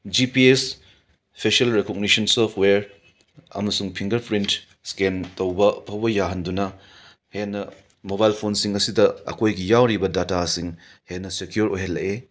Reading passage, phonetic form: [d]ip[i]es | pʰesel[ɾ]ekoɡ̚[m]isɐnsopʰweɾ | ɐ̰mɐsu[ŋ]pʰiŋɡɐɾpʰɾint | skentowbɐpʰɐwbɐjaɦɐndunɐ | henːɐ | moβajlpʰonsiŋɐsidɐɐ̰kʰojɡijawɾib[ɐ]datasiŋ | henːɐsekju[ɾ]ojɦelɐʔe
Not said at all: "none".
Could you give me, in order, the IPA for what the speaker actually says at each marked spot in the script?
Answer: d͡ʒ, i, ɾ, n, ŋ, ɐ, ɾ

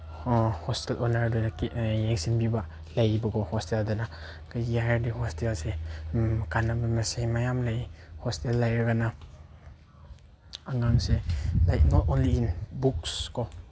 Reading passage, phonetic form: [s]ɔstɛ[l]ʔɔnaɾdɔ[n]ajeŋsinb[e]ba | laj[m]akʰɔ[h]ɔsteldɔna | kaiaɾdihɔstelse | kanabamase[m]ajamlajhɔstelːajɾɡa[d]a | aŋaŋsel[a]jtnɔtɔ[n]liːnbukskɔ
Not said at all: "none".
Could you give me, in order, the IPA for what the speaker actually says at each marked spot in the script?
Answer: h, l, n, i, b, h, m, n, a, n

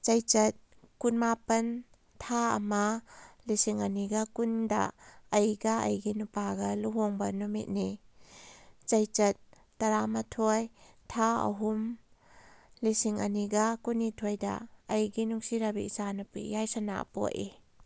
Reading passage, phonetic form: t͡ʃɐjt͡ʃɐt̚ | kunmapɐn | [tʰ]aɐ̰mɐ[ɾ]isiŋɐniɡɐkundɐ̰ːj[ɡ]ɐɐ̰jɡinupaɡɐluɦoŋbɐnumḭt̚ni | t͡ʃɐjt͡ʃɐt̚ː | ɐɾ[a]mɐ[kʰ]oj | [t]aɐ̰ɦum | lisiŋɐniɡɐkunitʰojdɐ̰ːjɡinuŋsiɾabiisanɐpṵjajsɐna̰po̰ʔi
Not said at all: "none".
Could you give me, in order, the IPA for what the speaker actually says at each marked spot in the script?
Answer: tʰ, l, ɡ, a, tʰ, tʰ

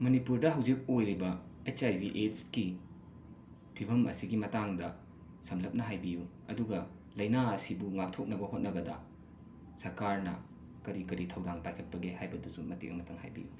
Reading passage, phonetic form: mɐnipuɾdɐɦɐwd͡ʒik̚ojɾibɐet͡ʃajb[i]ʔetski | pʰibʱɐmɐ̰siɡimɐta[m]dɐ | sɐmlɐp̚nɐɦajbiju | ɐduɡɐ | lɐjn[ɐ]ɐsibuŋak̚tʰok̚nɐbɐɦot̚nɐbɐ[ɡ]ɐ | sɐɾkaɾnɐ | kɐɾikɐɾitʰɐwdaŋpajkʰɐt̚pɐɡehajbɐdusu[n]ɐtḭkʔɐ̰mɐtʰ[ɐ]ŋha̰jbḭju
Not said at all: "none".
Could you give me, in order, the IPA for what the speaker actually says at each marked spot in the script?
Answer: i, ŋ, a, d, m, ɐ

